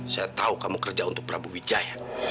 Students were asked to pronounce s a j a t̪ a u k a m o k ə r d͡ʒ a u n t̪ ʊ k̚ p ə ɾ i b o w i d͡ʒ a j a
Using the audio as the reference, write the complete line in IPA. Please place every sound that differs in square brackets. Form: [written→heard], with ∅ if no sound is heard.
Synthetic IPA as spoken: s a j a t̪ a u k a m [o→u] k ə r d͡ʒ a u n t̪ ʊ k̚ p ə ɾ [i→a] b [o→u] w i d͡ʒ a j a